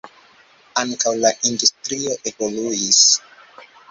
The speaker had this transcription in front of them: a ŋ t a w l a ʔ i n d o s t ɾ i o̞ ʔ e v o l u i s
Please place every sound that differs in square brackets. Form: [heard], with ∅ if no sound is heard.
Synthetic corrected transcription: a ŋ [k] a w l a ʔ i n d [u] s t ɾ i o̞ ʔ e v o l u i s